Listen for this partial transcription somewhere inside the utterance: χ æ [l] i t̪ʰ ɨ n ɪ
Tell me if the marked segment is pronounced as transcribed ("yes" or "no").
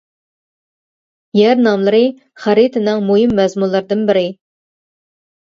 no